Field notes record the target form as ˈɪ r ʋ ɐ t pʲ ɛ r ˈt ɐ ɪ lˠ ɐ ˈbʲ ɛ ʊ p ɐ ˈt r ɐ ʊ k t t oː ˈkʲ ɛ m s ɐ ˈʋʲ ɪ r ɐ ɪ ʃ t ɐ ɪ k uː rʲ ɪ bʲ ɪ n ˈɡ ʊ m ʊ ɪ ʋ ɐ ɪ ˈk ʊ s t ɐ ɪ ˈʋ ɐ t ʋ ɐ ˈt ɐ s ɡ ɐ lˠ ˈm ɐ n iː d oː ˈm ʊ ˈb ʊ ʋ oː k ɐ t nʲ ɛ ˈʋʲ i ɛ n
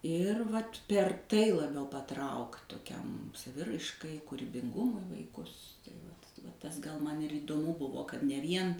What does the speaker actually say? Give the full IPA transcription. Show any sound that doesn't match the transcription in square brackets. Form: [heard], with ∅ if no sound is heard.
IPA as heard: ˈɪ r ʋ ɐ t pʲ ɛ r ˈt ɐ ɪ lˠ ɐ ˈbʲ ɛ ʊ p ɐ ˈt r ɐ ʊ k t t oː ˈkʲ ɛ m s ɐ ˈʋʲ ɪ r ɐ ɪ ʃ [k] ɐ ɪ k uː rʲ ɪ bʲ ɪ [ŋ] ˈɡ ʊ m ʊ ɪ ʋ ɐ ɪ ˈk ʊ s t ɐ ɪ ˈʋ ɐ t ʋ ɐ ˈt ɐ s ɡ ɐ lˠ ˈm ɐ n iː d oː ˈm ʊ ˈb ʊ ʋ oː k ɐ t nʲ ɛ ˈʋʲ i ɛ n